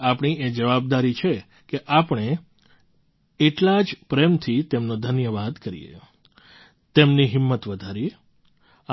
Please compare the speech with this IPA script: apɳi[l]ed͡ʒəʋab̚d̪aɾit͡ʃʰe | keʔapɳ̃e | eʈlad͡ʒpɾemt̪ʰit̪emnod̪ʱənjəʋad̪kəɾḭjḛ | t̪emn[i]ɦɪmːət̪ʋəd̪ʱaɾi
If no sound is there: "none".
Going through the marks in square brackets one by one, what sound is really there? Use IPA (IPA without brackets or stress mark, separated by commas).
none, i